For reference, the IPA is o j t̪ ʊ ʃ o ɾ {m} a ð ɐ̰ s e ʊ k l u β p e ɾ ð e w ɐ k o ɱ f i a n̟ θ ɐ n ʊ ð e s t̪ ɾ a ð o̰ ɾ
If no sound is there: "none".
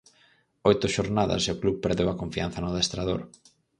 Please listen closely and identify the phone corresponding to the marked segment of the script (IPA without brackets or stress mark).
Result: n